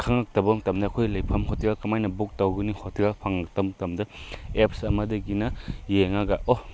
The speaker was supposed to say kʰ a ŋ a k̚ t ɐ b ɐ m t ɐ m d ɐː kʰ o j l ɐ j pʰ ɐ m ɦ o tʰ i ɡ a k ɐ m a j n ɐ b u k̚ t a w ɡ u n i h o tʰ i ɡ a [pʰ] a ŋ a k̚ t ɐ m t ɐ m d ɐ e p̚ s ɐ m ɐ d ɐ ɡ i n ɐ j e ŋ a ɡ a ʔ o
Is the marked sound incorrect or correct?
correct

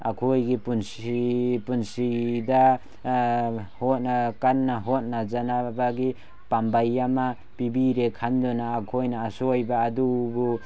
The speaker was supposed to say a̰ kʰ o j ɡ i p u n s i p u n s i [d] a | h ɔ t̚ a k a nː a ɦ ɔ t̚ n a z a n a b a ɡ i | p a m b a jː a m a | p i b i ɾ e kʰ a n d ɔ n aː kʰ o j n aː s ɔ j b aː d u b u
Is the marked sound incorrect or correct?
correct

